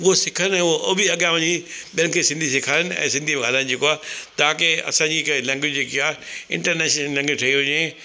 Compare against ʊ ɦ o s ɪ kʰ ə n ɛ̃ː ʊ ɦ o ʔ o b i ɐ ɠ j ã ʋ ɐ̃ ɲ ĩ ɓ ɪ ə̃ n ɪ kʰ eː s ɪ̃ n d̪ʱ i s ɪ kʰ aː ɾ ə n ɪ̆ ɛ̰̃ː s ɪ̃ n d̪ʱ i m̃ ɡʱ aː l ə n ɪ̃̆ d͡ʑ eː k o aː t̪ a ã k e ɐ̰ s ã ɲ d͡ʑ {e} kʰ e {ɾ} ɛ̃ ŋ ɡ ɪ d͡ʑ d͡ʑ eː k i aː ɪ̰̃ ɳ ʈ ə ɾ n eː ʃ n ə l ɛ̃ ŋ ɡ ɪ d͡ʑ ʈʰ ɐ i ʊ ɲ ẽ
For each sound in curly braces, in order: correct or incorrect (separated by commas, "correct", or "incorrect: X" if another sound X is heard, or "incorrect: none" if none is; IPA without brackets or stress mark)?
incorrect: i, incorrect: l